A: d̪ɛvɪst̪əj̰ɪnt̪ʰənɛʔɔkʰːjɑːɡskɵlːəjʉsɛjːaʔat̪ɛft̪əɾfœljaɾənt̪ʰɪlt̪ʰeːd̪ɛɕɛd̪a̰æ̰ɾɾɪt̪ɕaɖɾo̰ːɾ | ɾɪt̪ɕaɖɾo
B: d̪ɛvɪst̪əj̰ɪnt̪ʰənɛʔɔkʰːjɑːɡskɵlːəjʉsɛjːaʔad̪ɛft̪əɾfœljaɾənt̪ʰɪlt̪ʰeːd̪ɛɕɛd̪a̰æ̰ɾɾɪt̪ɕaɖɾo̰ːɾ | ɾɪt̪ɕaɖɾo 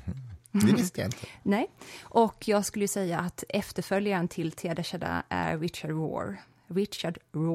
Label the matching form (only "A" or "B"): A